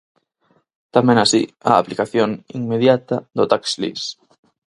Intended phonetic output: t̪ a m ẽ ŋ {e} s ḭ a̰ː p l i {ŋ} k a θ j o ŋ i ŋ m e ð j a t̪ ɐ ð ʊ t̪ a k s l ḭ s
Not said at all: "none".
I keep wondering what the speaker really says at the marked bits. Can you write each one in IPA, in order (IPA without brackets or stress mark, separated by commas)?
a, none